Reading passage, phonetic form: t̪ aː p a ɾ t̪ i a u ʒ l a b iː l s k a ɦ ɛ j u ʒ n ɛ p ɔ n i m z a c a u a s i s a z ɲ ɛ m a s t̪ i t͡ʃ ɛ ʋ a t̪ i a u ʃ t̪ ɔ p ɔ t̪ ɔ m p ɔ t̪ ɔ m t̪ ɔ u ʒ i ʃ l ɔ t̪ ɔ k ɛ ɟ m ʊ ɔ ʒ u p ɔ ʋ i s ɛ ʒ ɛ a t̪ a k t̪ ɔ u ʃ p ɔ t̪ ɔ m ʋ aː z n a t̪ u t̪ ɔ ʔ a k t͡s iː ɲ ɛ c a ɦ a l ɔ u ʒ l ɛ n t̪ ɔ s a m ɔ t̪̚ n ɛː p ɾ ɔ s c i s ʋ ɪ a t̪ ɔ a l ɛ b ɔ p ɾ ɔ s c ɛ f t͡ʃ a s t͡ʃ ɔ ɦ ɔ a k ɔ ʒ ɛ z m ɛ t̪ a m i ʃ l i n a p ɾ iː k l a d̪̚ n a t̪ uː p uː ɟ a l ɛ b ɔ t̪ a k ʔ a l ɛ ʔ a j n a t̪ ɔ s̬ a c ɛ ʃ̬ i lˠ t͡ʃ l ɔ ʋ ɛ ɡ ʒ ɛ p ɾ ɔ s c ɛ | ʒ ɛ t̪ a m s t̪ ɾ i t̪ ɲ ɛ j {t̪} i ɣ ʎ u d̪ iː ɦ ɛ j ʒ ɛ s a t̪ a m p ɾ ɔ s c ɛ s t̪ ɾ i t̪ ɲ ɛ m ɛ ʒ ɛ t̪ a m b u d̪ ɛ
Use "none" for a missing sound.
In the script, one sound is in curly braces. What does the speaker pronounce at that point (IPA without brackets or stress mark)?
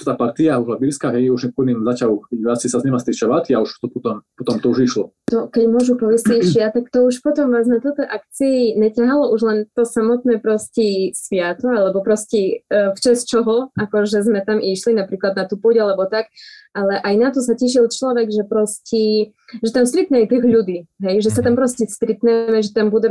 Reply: t̪